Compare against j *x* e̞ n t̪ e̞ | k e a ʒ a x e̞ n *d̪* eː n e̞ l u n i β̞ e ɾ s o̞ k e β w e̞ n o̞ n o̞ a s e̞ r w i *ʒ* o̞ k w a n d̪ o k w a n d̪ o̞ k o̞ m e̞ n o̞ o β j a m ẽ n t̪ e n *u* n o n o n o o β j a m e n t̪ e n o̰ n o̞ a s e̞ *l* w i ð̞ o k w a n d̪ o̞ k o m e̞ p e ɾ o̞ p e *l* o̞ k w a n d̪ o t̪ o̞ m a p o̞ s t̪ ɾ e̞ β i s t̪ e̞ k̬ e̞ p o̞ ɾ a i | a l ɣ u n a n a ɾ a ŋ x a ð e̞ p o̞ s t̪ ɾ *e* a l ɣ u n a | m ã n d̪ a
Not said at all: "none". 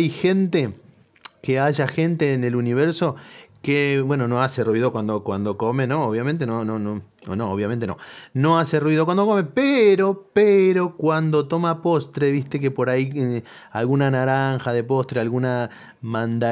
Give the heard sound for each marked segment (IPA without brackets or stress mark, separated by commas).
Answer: x, t̪, ð, o, r, ɾ, e